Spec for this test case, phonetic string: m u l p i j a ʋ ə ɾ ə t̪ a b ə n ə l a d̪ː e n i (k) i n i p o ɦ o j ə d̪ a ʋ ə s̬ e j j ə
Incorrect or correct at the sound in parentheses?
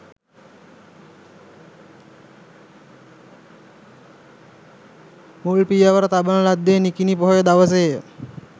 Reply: correct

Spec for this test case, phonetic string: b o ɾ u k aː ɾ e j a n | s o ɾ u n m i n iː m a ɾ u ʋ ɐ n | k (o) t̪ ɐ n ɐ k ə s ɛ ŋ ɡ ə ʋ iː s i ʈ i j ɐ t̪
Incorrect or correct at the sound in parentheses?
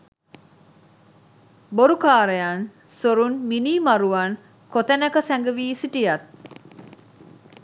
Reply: correct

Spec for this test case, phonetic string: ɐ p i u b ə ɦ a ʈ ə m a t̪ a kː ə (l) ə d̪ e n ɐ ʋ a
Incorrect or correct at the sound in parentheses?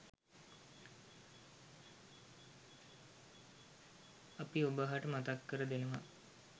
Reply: incorrect: ɾ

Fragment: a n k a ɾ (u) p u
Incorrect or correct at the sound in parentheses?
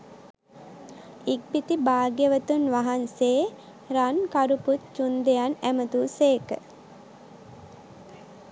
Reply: correct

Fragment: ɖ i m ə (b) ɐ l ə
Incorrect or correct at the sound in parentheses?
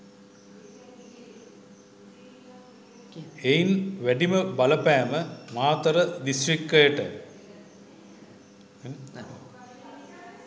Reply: correct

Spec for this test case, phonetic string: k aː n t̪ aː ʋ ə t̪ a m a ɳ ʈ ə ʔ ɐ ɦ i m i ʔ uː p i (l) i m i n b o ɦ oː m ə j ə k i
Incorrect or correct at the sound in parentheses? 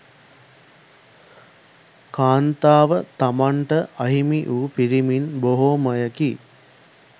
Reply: incorrect: ɾ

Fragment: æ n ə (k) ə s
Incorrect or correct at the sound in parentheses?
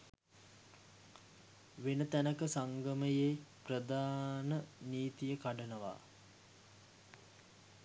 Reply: correct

